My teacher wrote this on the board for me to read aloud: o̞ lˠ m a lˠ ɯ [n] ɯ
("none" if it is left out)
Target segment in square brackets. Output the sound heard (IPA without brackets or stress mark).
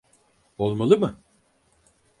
m